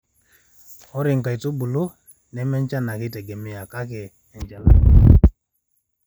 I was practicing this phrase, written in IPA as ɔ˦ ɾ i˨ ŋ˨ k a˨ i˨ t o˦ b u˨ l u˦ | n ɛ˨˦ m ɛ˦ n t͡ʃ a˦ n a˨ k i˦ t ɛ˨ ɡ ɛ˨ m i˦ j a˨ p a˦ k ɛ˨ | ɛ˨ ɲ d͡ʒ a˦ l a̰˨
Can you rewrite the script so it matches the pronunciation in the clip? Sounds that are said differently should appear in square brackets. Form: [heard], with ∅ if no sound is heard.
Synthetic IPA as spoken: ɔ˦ ɾ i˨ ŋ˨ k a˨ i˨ t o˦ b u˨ l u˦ | n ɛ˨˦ m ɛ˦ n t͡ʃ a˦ n a˨ k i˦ t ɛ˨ ɡ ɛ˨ m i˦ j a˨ [k] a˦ k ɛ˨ | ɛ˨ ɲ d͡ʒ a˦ l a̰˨